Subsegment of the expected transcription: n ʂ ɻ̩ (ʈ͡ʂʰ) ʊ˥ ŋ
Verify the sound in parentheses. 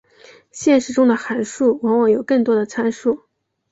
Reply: incorrect: ʈ͡ʂ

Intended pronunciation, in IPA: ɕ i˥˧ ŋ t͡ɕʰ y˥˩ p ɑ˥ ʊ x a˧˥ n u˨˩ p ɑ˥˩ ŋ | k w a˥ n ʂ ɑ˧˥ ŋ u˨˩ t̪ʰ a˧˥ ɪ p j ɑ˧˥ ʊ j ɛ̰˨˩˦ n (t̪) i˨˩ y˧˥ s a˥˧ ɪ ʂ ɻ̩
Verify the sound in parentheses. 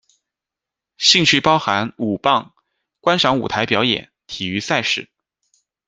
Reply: incorrect: t̪ʰ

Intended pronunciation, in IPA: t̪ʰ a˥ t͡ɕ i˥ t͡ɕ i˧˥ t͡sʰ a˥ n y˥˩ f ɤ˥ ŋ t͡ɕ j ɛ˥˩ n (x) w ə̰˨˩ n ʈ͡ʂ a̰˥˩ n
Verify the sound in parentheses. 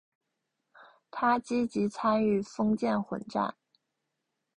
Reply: correct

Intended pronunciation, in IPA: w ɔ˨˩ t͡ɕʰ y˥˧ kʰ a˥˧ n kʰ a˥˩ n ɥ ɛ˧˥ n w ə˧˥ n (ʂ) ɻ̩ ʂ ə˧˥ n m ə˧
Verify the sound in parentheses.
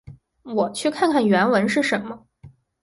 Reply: correct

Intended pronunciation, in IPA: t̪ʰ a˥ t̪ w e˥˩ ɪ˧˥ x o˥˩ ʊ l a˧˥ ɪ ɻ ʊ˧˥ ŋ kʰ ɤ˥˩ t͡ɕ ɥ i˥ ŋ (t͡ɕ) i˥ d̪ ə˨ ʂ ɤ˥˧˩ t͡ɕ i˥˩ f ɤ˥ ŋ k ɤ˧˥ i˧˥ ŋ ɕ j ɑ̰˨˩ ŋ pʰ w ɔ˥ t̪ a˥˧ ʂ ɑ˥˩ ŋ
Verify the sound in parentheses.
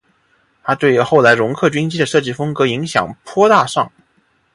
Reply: correct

